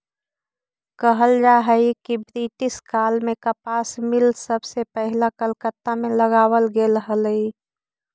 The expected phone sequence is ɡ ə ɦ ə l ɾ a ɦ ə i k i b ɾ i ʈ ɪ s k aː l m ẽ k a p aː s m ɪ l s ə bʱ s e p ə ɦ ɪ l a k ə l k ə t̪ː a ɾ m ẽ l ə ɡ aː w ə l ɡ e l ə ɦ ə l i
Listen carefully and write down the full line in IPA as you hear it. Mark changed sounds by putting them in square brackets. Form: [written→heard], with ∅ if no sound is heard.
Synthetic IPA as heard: [ɡ→k] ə ɦ ə l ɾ a ɦ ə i k i b ɾ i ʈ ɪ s k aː l m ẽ k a p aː s m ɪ l s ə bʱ s e p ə ɦ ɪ l a k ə l k ə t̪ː a [ɾ→∅] m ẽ l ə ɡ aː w ə l ɡ e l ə ɦ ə l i

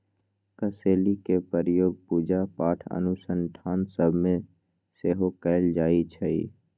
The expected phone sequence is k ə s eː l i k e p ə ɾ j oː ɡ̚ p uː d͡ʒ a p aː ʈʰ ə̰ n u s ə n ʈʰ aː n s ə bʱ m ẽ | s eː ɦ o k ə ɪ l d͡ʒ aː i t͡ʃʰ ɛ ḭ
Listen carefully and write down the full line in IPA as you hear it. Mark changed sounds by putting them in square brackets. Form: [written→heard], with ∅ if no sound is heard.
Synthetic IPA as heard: k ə s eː l i k e p ə ɾ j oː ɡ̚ p uː d͡ʒ a p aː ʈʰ ə̰ n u s ə n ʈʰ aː n s ə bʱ m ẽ | s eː ɦ o k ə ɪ l d͡ʒ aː i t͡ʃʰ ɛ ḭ

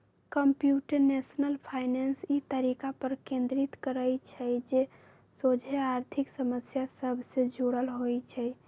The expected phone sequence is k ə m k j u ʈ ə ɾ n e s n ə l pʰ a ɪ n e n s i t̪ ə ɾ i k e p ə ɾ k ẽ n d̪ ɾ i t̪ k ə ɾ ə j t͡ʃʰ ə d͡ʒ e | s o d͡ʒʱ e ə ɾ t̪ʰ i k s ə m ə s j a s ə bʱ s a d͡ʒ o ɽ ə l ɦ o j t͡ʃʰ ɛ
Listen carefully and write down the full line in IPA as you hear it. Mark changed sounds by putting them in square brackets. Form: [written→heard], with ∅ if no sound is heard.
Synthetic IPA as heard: k ə m [k→p] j u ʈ ə ɾ n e s n ə l pʰ a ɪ n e n s i t̪ ə ɾ i k [e→a] p ə ɾ k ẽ n d̪ ɾ i t̪ k ə ɾ ə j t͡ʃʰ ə d͡ʒ e | s o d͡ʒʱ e [ə→a] ɾ t̪ʰ i k s ə m ə s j a s ə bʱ s [a→e] d͡ʒ o ɽ ə l ɦ o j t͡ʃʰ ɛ

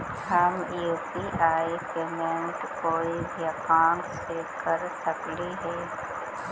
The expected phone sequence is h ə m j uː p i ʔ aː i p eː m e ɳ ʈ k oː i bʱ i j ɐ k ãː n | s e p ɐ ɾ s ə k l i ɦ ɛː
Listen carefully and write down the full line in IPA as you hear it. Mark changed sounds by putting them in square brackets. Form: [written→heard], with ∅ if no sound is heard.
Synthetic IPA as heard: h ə m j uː p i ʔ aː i p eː m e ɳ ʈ k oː i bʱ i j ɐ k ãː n | s e [p→k] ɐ ɾ s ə k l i ɦ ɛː

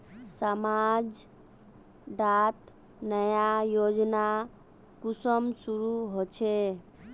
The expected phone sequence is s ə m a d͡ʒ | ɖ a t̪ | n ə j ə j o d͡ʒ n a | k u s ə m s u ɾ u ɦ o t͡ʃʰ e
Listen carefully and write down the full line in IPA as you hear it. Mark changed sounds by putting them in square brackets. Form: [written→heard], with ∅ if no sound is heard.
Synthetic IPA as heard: s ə m a d͡ʒ | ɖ a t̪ | n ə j [ə→a] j o d͡ʒ n a | k u s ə m s u ɾ u ɦ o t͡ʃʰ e

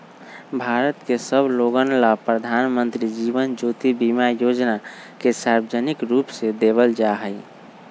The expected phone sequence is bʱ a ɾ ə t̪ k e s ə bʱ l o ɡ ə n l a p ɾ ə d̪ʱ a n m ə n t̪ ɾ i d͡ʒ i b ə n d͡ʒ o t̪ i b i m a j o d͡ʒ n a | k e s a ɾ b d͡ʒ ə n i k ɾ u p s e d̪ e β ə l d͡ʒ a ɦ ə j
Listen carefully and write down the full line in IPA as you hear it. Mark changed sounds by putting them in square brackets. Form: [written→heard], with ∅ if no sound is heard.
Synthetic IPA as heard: bʱ a ɾ ə t̪ k e s ə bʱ l o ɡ ə n l a p ɾ ə d̪ʱ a n m ə n t̪ ɾ i d͡ʒ i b ə n d͡ʒ o t̪ i b i m a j o d͡ʒ n a | k e s a ɾ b d͡ʒ ə n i k ɾ u p s e d̪ e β ə l d͡ʒ a ɦ ə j

